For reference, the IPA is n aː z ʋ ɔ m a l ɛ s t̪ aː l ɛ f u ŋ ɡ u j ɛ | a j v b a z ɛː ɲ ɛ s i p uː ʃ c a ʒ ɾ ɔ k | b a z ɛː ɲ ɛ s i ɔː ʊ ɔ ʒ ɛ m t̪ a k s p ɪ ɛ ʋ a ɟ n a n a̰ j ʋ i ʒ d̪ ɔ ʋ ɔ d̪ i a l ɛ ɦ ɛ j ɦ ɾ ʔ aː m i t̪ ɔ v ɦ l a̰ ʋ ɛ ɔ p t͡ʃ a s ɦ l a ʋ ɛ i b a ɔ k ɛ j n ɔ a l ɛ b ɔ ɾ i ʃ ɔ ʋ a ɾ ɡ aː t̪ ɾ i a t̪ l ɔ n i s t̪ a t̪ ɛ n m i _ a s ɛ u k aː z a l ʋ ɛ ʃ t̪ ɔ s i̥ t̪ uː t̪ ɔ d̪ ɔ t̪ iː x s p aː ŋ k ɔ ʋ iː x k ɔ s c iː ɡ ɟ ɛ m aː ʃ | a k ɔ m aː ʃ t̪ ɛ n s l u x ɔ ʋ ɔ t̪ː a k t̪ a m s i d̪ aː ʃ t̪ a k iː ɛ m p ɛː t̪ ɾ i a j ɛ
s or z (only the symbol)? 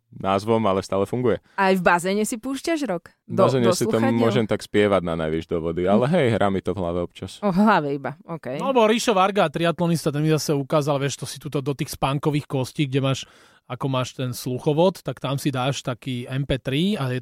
z